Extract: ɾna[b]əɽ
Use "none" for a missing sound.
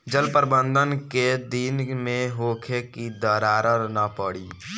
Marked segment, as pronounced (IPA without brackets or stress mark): p